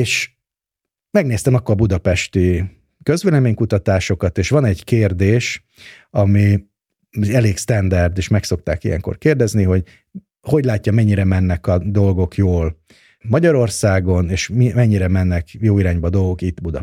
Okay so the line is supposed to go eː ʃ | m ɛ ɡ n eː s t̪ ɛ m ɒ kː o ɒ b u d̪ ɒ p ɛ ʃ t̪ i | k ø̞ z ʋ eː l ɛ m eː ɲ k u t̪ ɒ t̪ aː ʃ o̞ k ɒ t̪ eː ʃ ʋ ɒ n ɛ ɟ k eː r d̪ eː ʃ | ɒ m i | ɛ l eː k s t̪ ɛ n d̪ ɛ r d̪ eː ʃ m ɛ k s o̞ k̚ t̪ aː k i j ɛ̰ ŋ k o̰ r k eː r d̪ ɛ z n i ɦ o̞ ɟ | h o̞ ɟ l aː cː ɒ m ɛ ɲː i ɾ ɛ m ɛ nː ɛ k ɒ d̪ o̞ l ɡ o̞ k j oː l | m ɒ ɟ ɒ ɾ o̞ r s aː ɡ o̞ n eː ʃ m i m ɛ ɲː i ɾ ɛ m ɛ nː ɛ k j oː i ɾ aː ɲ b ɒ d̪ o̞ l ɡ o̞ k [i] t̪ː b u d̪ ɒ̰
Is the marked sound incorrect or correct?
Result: correct